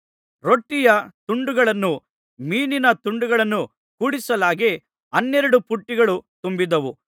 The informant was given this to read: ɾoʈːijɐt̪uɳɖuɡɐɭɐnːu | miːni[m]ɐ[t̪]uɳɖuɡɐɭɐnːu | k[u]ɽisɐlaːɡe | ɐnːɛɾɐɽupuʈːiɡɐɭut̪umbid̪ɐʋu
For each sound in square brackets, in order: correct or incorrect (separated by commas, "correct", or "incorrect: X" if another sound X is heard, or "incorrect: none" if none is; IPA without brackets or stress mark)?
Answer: incorrect: n, correct, incorrect: uː